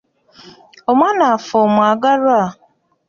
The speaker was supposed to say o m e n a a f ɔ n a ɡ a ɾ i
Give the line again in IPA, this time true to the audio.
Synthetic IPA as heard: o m a n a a f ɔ m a ɡ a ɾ a